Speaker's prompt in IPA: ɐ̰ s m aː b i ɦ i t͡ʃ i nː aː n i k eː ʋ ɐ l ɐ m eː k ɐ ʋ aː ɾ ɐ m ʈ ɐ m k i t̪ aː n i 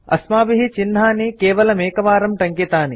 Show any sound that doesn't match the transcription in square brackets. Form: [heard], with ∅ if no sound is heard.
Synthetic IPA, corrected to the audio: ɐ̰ s m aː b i ɦ i t͡ʃ i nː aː n i k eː ʋ ɐ l ɐ m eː k ɐ ʋ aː ɾ ɐ m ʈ ɐ [ŋ] k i t̪ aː n i

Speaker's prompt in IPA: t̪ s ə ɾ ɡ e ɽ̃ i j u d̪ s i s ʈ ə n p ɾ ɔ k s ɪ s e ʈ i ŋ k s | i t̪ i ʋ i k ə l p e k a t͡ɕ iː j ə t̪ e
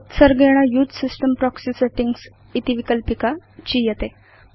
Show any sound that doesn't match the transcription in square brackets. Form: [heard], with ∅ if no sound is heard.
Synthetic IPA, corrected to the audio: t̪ s ə ɾ ɡ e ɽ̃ [a] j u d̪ s i s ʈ ə [m] p ɾ ɔ k s [i] s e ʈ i ŋ [ɡ] s | i t̪ i ʋ i k ə l p [i] k a t͡ɕ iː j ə t̪ e

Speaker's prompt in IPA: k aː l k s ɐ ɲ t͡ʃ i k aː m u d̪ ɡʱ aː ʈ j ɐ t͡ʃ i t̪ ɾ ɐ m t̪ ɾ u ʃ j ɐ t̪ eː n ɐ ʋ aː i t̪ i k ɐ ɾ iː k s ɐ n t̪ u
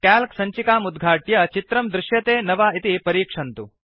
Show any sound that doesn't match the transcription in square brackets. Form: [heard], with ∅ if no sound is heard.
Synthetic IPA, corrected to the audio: k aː l k s ɐ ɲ t͡ʃ i k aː m u d̪ ɡʱ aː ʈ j ɐ t͡ʃ i t̪ ɾ ɐ m [d̪] ɾ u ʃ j ɐ t̪ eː n ɐ ʋ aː i t̪ i [p] ɐ ɾ iː k [ʂ] ɐ n t̪ u

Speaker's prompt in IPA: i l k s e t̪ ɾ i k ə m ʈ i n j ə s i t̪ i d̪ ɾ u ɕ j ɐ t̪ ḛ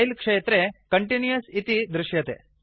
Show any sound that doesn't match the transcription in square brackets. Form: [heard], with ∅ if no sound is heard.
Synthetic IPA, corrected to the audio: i l k [ʂ] e t̪ ɾ [e] k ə [ɳ] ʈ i n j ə s i t̪ i d̪ ɾ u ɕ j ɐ t̪ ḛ

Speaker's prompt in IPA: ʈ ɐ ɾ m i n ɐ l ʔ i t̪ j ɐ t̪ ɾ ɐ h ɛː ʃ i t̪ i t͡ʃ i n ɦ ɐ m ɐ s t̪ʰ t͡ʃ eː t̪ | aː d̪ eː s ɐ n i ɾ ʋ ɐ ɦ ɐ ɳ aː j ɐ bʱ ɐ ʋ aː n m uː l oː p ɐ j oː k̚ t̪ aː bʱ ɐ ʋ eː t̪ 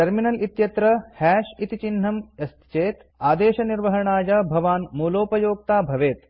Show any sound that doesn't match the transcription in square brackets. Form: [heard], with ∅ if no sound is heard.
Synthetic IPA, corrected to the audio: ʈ ɐ ɾ m i n ɐ l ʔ i t̪ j ɐ t̪ ɾ ɐ h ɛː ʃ i t̪ i t͡ʃ i n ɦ ɐ m ɐ s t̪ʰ t͡ʃ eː t̪ | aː d̪ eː [ʃ] ɐ n i ɾ ʋ ɐ ɦ ɐ ɳ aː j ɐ bʱ ɐ ʋ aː n m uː l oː p ɐ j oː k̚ t̪ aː bʱ ɐ ʋ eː t̪

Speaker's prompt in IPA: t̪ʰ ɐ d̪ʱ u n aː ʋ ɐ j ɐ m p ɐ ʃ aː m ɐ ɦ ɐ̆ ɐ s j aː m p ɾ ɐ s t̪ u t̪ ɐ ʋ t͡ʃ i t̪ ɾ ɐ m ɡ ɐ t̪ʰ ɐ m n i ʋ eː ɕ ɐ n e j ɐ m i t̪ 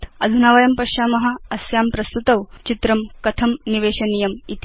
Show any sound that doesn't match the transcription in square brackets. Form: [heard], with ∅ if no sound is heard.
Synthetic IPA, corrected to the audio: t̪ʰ ɐ d̪ʱ u n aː ʋ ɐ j ɐ m p ɐ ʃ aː m ɐ ɦ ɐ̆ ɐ s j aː m p ɾ ɐ s t̪ u t̪ ɐ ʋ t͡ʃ i t̪ ɾ ɐ m [k] ɐ t̪ʰ ɐ m n i ʋ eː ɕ ɐ n [i] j ɐ m i t̪

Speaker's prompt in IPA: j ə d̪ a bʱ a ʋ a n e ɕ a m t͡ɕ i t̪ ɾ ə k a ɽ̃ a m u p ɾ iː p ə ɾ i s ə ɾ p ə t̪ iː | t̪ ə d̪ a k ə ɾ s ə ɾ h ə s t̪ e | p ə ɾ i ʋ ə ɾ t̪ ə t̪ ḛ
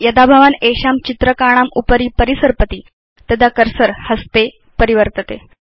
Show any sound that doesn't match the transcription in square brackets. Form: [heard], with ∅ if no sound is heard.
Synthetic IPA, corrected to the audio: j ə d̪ a bʱ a ʋ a n e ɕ a m t͡ɕ i t̪ ɾ ə k a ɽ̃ a m u p ɾ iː p ə ɾ i s ə ɾ p ə t̪ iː | t̪ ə d̪ a k ə ɾ s ə ɾ h ə s t̪ e | p ə ɾ i ʋ ə ɾ t̪ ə t̪ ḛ

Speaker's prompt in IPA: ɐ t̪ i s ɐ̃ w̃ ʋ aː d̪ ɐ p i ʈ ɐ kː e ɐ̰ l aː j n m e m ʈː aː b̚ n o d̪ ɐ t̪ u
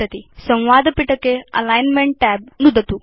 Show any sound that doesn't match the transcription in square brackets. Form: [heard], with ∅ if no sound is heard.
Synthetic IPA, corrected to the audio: ɐ t̪ i s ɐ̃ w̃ ʋ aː d̪ ɐ p i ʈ ɐ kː e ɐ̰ l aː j n m e [ɳ] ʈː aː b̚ n [u] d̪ ɐ t̪ u

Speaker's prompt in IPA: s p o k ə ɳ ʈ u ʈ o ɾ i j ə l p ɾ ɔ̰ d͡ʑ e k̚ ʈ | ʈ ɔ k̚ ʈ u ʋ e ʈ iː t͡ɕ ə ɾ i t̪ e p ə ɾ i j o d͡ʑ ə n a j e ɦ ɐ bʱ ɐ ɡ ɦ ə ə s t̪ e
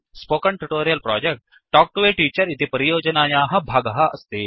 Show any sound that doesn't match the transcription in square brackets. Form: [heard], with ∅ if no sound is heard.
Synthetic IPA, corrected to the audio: s p o k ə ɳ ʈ u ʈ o ɾ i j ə l p ɾ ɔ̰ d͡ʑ e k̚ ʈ | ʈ ɔ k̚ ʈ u ʋ e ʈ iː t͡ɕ ə ɾ i t̪ e p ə ɾ i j o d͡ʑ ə n a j [a] ɦ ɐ bʱ [a] ɡ ɦ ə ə s t̪ e

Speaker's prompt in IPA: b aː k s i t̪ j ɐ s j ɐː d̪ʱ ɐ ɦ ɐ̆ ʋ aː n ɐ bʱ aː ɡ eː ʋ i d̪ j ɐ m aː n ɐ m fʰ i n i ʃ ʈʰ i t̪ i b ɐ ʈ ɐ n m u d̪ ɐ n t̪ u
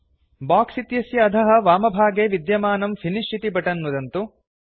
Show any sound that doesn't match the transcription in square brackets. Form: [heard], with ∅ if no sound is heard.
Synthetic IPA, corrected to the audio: b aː k s i t̪ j ɐ s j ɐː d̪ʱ ɐ ɦ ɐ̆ ʋ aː [m] ɐ bʱ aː ɡ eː ʋ i d̪ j ɐ m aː n ɐ m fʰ i n i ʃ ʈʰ i t̪ i b ɐ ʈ ɐ n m u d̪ ɐ n t̪ u

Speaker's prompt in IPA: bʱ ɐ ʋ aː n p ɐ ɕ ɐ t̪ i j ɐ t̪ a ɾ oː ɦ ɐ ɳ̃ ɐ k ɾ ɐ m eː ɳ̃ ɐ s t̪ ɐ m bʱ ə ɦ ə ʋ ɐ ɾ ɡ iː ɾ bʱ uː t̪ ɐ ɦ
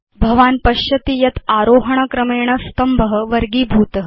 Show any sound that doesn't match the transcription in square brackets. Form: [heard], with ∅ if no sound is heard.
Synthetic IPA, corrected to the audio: bʱ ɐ ʋ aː n p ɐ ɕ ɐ t̪ i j ɐ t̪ a ɾ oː ɦ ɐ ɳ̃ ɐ k ɾ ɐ m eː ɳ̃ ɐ s t̪ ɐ m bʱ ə ɦ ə ʋ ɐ ɾ ɡ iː [∅] bʱ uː t̪ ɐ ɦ

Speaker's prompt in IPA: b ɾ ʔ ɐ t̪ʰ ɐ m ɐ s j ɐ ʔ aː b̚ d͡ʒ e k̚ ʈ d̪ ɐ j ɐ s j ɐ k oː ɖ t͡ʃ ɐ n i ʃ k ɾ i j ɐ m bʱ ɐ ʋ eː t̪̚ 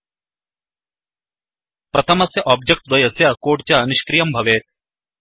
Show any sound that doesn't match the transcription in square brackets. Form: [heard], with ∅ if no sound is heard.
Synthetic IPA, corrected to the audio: [p] ɾ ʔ ɐ t̪ʰ ɐ m ɐ s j ɐ ʔ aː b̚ d͡ʒ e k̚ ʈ d̪ ɐ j ɐ s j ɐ k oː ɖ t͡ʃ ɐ n i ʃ k ɾ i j ɐ m bʱ ɐ ʋ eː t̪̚

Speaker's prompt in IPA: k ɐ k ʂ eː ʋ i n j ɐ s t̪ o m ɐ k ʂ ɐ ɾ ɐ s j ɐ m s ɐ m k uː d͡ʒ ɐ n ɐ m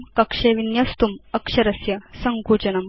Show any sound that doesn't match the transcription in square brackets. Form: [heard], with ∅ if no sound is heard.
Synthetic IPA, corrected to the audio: k ɐ k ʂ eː ʋ i n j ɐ s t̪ [u] m ɐ k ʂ ɐ ɾ ɐ s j ɐ [∅] s ɐ [ŋ] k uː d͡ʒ ɐ n ɐ m

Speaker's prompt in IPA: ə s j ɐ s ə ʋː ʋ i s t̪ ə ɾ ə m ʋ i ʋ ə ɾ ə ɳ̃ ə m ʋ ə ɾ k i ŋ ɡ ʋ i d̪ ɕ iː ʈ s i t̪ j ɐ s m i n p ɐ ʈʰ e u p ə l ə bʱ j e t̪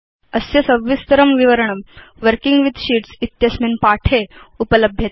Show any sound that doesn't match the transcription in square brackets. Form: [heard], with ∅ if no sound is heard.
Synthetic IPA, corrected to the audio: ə s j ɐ s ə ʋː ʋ i s t̪ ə ɾ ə m ʋ i ʋ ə ɾ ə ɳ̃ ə m ʋ ə ɾ k i ŋ ɡ ʋ i d̪ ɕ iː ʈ s i t̪ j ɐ s m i n p [a] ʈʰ e u p ə l ə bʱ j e t̪

